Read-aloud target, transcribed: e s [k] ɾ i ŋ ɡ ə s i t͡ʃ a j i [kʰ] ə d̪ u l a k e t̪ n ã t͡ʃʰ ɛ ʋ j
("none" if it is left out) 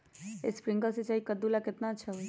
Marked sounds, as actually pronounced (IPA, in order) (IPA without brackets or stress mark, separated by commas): p, k